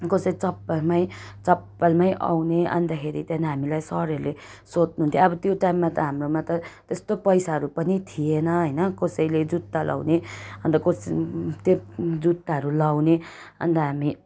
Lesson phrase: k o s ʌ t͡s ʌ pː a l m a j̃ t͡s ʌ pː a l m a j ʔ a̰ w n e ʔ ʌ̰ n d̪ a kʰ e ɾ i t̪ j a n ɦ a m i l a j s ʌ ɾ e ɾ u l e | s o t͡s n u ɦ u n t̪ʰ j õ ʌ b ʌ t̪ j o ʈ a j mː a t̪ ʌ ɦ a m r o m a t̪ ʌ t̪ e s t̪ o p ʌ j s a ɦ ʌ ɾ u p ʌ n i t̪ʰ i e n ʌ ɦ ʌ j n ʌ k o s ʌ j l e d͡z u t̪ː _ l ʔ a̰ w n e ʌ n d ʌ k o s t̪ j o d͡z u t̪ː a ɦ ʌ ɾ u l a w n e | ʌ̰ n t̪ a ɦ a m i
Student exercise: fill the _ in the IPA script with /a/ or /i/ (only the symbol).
a